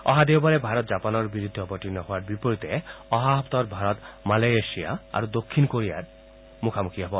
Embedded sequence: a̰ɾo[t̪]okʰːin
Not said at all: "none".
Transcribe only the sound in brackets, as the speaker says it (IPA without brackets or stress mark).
d̪